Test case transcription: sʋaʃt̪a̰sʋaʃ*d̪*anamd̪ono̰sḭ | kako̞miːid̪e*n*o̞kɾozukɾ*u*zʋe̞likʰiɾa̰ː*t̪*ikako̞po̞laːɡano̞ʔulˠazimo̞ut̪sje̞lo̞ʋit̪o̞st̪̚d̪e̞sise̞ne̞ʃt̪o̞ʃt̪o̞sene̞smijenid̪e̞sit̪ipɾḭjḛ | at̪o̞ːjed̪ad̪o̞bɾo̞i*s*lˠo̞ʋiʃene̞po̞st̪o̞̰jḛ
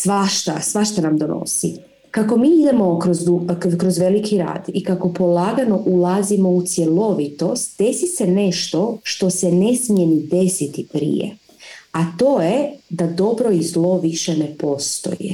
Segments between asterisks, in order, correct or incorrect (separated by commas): incorrect, incorrect, incorrect, incorrect, incorrect